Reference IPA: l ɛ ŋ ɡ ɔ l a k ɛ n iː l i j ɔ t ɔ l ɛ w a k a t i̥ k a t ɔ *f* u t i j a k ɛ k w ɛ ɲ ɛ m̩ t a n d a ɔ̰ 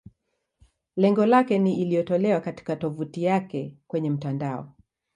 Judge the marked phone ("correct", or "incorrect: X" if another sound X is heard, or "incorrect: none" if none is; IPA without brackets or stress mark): incorrect: v